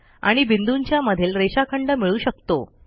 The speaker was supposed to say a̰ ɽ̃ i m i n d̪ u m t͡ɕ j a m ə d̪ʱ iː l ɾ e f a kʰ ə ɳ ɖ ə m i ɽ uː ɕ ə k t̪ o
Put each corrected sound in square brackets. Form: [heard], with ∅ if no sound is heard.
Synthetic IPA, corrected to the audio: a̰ ɽ̃ i [b] i n d̪ u [ɲ] t͡ɕ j a m ə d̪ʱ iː l ɾ e [ɕ] a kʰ ə ɳ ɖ ə m i [ɭ] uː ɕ ə k t̪ o